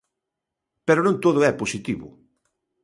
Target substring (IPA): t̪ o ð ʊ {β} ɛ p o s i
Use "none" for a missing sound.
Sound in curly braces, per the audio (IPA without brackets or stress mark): none